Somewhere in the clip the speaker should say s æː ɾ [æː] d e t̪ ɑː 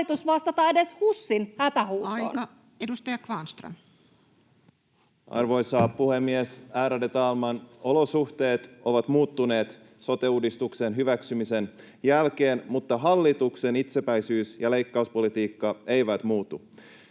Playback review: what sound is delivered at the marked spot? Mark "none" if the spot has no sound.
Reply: æ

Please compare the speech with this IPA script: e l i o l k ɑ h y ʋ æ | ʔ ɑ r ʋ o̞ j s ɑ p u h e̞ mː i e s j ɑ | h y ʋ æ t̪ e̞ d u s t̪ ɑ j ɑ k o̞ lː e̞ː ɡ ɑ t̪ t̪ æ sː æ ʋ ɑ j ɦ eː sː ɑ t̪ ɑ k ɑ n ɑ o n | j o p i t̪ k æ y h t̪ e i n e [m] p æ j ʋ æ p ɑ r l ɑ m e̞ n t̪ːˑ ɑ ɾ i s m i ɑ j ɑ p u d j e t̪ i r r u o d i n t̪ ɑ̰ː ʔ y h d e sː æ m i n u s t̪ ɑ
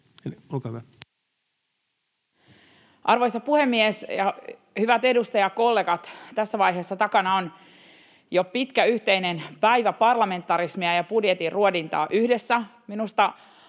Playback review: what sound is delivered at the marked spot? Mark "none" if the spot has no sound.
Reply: n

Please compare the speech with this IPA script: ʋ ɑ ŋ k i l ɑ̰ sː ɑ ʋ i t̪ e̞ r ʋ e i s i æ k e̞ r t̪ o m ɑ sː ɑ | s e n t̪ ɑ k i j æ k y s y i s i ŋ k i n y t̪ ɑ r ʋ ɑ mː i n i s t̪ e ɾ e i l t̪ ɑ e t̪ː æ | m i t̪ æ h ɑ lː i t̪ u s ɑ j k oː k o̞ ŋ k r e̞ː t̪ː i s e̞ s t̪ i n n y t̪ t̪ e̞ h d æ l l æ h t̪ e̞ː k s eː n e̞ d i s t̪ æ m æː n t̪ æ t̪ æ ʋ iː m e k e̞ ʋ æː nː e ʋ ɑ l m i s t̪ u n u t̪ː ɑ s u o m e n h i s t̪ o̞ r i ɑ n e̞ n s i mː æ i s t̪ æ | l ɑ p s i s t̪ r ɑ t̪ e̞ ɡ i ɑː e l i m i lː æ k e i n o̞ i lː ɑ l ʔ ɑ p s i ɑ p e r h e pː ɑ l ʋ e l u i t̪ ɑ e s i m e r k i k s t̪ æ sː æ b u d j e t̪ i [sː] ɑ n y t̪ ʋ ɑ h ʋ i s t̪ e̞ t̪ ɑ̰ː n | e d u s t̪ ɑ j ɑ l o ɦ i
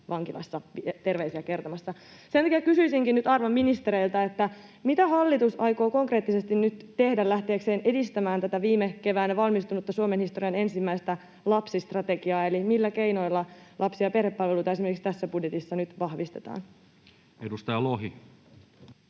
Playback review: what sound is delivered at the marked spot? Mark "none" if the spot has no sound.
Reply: sː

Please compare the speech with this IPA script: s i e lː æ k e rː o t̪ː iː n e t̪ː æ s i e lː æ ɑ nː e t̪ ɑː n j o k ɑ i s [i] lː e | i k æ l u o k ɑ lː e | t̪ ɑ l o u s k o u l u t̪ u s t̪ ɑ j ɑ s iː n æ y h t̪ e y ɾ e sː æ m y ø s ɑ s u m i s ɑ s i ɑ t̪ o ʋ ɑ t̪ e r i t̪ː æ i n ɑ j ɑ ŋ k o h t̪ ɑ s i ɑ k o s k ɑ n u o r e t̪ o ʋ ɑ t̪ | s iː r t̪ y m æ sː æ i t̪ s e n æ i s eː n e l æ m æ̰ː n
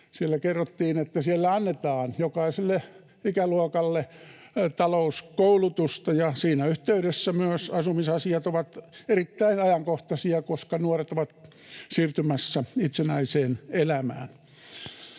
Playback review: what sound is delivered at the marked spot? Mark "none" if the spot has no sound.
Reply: e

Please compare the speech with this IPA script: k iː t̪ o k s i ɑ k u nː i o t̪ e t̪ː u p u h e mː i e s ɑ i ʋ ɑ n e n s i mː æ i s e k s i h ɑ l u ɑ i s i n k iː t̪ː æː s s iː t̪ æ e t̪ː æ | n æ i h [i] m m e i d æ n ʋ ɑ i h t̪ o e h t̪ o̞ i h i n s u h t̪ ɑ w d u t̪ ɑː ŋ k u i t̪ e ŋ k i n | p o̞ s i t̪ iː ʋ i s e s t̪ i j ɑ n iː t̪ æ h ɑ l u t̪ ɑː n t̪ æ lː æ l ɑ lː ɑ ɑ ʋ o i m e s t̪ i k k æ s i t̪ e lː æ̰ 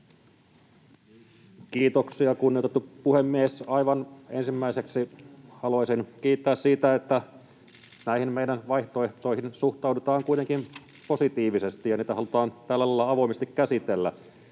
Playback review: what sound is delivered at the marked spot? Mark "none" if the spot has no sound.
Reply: i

